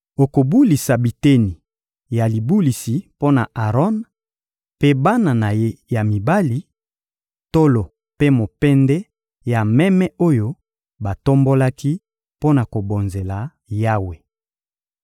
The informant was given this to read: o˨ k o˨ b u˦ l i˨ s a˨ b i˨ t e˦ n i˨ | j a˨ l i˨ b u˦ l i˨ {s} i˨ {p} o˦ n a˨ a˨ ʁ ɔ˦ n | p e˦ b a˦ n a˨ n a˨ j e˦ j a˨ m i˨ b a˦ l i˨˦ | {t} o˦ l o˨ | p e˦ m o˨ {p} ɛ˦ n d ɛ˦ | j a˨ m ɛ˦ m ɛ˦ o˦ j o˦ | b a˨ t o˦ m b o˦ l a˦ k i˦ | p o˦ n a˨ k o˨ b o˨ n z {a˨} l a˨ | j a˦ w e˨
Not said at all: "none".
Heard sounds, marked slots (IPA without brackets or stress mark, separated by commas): s, p, t, p, e˨